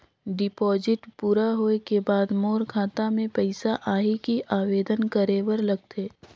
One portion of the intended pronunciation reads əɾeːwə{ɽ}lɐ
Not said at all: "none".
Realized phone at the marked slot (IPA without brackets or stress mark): ɾ